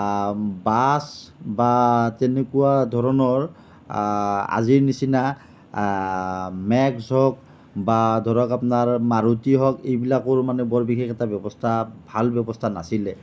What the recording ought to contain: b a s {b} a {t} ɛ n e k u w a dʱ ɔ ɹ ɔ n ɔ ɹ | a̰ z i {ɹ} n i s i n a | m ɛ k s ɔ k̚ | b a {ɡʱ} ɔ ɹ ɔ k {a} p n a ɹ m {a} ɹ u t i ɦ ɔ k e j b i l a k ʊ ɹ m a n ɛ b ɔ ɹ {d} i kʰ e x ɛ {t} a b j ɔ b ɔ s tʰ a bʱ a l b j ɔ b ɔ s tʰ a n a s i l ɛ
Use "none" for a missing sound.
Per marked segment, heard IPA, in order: b, t, ɹ, dʱ, a, a, b, t

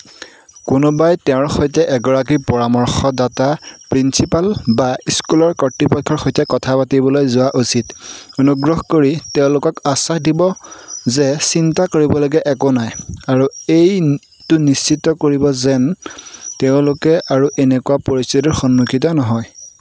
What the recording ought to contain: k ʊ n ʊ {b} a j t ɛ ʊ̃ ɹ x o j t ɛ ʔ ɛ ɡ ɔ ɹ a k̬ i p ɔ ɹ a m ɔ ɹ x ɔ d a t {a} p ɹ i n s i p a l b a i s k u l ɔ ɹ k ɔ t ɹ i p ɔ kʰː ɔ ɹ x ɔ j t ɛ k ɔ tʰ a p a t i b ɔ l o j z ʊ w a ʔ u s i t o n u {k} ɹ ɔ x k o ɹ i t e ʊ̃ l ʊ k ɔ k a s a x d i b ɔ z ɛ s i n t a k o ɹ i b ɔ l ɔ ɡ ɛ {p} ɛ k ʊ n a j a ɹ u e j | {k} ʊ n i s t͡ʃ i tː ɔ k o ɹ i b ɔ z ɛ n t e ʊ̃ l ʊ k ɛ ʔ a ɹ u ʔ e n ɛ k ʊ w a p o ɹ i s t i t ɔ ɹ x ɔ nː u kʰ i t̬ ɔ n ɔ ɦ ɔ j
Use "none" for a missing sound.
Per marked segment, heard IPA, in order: b, a, ɡ, ʔ, t

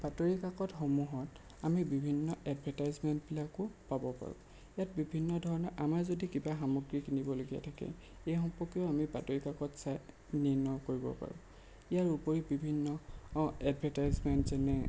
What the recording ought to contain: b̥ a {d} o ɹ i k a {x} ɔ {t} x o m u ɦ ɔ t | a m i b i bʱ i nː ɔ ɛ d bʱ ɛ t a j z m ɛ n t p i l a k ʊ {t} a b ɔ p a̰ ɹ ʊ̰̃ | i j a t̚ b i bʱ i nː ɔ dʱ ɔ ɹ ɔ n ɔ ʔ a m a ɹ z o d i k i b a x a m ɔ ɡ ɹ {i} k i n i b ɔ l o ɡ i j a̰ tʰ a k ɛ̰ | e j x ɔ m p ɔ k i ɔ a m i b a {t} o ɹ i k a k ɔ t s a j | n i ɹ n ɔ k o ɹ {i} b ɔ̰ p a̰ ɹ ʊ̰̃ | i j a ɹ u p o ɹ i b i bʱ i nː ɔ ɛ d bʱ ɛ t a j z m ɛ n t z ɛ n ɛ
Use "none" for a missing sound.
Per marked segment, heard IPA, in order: t, k, t, p, i, t, i

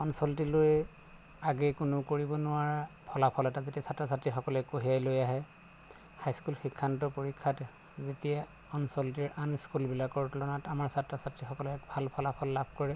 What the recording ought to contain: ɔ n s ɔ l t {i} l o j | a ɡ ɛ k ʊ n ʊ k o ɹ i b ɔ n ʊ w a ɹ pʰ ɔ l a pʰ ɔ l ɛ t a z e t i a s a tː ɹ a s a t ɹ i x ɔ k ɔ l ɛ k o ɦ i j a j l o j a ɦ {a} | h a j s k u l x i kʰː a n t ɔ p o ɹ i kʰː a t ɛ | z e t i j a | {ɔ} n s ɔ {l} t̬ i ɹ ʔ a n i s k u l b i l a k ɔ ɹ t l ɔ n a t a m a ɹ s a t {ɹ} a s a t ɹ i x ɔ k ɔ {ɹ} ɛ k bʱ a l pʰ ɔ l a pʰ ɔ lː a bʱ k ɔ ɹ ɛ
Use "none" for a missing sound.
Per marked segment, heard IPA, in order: i, ɛ, ɔ, l, ɹ, l

